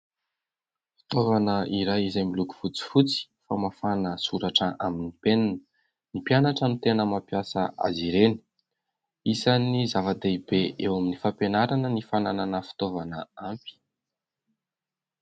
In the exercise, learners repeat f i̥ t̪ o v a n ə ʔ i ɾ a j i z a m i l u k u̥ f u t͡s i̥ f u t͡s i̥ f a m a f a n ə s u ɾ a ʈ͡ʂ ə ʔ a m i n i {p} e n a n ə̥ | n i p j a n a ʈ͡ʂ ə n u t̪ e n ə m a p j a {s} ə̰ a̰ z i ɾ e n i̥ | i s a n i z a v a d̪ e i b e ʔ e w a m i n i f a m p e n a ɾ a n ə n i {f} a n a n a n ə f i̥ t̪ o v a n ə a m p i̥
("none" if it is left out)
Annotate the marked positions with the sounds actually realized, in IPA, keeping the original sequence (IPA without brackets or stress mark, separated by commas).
p, s, f